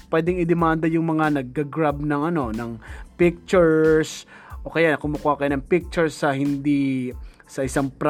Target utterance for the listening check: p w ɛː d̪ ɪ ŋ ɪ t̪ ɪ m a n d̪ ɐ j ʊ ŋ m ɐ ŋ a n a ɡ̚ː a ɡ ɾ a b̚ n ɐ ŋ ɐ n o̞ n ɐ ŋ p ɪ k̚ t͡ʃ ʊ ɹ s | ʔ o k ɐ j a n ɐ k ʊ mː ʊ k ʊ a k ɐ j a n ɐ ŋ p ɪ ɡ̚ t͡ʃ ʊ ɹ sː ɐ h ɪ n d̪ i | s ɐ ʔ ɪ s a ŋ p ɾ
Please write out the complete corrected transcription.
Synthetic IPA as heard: p w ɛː d̪ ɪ ŋ ɪ d̪ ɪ m a n d̪ ɐ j ʊ ŋ m ɐ ŋ a n ɐ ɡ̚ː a ɡ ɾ a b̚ n ɐ ŋ ɐ n o̞ n ɐ ŋ p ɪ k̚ t͡ʃ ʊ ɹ s | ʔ o k ɐ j a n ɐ k ʊ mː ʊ k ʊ a k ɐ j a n ɐ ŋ p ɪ k̚ t͡ʃ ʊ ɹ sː ɐ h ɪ n d̪ i | s ɐ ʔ ɪ s a ŋ p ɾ